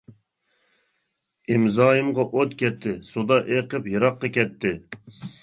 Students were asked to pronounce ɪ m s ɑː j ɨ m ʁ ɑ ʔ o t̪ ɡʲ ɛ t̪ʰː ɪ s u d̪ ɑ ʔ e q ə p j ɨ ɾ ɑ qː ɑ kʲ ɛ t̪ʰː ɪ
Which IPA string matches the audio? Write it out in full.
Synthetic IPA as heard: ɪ m z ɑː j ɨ m ʁ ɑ ʔ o t̪ kʲ ɛ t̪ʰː ɪ s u d̪ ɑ ʔ e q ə p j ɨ ɾ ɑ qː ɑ kʲ ɛ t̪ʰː ɪ

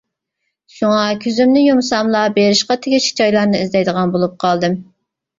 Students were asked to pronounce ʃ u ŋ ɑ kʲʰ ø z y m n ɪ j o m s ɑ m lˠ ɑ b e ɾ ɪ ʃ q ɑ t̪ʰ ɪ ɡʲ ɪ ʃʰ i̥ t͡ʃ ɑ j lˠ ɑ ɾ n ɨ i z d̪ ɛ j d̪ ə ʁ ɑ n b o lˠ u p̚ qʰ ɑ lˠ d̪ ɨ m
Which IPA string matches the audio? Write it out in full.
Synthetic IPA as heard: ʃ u ŋ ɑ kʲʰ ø z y m n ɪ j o m s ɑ m lˠ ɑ b e ɾ ɪ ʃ q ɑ t̪ʰ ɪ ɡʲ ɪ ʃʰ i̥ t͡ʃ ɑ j lˠ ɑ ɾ n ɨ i z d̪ ɛ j d̪ ə ʁ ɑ n b o lˠ u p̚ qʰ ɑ lˠ d̪ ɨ m

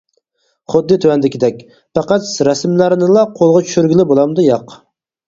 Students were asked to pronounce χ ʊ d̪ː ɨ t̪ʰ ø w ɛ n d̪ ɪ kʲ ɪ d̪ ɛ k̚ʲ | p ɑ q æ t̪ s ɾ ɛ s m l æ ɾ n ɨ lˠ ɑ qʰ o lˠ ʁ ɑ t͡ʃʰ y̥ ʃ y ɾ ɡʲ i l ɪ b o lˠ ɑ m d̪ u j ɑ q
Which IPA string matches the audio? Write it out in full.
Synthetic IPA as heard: χ ʊ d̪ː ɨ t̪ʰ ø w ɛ n d̪ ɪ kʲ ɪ d̪ ɛ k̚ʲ | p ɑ q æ t̪ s ɾ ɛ s m l æ ɾ n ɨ lˠ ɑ qʰ o lˠ ʁ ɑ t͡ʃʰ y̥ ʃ y ɾ ɡʲ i l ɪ b o lˠ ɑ m d̪ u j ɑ q

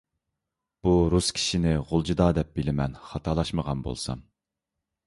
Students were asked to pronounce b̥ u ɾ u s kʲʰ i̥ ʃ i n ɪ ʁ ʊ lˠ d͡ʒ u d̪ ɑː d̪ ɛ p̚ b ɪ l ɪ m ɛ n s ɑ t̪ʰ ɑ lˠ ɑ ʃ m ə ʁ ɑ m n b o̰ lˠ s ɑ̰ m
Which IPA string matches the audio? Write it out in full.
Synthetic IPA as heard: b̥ u ɾ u s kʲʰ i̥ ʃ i n ɪ ʁ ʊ lˠ d͡ʒ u d̪ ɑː d̪ ɛ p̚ b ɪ l ɪ m ɛ n χ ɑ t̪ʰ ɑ lˠ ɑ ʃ m ə ʁ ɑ n b o̰ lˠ s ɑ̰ m

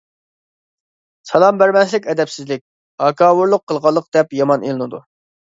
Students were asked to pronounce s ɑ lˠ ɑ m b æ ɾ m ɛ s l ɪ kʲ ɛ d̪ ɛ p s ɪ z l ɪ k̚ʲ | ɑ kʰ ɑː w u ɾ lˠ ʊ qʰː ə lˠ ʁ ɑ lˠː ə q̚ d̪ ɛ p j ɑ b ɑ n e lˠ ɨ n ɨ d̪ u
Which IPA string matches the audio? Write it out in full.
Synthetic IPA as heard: s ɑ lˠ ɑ m b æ ɾ m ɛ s l ɪ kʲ ɛ d̪ ɛ p s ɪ z l ɪ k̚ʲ | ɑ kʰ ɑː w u ɾ lˠ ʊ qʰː ə lˠ ʁ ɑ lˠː ə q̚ d̪ ɛ p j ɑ m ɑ n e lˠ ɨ n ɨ d̪ u

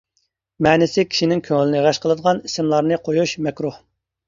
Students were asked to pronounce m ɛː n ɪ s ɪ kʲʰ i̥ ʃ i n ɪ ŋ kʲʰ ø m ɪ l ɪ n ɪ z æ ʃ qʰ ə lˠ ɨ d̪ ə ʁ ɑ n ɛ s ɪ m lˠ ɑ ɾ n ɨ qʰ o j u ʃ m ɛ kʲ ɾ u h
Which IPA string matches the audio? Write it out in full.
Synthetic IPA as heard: m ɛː n ɪ s ɪ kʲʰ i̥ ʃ i n ɪ ŋ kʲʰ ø ŋ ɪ l ɪ n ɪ ʁ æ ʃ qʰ ə lˠ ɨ d̪ ə ʁ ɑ n i s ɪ m lˠ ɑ ɾ n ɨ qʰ o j u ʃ m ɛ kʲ ɾ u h

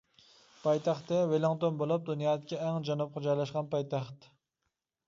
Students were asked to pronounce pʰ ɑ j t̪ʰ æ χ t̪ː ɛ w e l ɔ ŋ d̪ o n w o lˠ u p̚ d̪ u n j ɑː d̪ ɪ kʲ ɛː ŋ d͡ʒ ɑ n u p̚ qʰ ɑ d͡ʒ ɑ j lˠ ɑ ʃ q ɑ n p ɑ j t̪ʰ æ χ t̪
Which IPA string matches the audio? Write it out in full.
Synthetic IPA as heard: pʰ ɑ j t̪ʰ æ χ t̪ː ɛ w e l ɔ ŋ t̪ o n b o lˠ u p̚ d̪ u n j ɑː d̪ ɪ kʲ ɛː ŋ d͡ʒ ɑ n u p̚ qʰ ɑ d͡ʒ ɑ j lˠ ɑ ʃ q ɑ n p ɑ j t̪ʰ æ χ t̪

